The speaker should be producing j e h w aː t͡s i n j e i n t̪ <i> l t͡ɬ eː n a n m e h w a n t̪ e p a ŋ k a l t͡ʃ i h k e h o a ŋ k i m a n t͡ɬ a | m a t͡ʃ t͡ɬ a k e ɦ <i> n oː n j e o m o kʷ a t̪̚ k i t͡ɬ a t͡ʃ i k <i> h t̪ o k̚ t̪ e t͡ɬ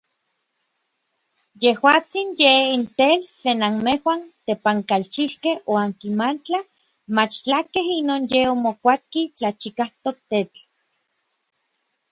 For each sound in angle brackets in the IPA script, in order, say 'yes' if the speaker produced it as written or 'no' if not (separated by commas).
no, yes, no